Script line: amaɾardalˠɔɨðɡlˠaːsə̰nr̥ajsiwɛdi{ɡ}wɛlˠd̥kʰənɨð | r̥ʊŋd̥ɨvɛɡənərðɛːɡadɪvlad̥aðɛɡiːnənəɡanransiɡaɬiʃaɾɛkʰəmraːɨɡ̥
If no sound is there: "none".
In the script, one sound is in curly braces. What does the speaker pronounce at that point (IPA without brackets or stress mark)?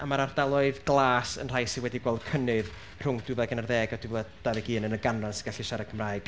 ɡ